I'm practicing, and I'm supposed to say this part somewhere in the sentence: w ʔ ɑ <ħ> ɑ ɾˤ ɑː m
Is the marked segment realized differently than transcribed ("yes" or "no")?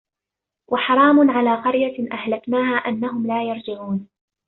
no